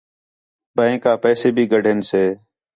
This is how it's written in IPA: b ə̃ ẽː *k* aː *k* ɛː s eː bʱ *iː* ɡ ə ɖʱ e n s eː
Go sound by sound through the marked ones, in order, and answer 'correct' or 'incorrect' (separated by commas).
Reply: correct, incorrect, correct